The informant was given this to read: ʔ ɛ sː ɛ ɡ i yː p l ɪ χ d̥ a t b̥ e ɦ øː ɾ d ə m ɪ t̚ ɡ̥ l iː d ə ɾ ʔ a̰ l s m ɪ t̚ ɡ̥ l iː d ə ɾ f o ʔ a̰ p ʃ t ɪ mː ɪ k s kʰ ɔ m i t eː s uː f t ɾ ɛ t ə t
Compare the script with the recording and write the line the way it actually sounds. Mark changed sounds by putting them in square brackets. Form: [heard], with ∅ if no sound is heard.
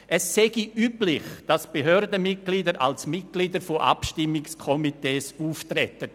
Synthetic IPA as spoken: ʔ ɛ sː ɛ ɡ i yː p l ɪ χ d̥ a [s] b̥ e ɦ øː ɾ d ə m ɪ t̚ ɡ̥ l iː d ə ɾ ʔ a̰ l s m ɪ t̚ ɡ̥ l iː d ə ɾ f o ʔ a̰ p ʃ t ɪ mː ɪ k s kʰ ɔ m i t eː s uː f t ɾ ɛ t ə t